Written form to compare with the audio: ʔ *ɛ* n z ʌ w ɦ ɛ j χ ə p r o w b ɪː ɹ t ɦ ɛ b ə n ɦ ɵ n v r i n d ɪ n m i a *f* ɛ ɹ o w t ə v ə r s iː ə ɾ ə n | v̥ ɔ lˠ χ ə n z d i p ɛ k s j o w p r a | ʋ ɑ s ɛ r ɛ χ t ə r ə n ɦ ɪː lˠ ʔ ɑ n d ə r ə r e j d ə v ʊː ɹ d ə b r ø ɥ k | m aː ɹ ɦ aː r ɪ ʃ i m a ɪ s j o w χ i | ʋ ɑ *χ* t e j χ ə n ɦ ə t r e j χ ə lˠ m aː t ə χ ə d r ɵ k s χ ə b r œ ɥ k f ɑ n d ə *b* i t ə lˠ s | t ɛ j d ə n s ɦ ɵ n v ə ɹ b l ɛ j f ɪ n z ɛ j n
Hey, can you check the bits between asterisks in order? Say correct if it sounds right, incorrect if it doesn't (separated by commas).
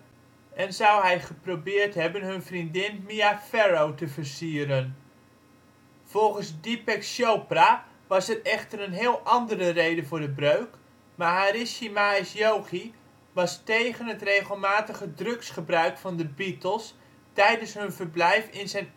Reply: correct, correct, incorrect, correct